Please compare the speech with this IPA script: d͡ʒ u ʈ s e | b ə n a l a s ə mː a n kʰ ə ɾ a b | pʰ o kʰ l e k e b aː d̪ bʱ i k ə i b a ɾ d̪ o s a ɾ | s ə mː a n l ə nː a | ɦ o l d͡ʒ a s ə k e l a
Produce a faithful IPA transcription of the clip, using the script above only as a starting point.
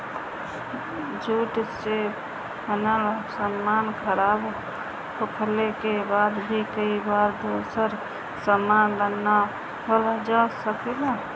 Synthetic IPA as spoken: d͡ʒ u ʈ s e | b ə n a l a s ə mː a n kʰ ə ɾ a b | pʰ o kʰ l e k e b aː d̪ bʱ i k ə i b a ɾ d̪ o s ə ɾ | s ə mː a n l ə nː a | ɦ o l d͡ʒ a s ə k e l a